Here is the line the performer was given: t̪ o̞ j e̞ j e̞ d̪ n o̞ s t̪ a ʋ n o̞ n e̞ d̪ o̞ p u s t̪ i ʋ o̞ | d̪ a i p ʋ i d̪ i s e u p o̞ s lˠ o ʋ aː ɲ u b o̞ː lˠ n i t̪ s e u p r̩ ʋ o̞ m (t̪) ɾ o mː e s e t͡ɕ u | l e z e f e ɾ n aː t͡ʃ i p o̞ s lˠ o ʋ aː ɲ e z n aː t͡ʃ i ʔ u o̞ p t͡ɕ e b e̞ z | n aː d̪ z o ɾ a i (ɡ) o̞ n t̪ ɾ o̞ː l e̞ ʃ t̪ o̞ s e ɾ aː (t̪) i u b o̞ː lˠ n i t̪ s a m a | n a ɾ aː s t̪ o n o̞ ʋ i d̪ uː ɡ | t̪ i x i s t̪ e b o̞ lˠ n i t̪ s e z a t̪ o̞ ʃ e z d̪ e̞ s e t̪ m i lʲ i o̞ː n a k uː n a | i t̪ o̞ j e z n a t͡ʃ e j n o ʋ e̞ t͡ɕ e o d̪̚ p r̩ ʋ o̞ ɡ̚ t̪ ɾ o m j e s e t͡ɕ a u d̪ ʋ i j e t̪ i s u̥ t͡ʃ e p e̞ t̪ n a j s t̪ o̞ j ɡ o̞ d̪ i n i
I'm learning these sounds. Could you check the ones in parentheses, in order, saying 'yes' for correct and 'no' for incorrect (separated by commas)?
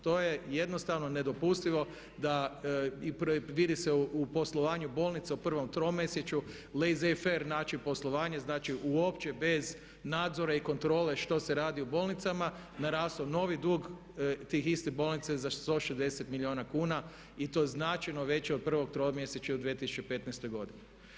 yes, no, no